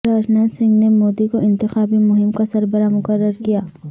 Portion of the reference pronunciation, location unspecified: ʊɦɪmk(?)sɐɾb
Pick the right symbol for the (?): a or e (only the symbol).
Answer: a